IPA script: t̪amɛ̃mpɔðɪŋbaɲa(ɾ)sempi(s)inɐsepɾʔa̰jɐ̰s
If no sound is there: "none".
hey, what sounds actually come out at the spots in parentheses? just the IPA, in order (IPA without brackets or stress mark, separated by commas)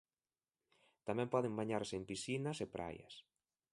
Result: ɾ, s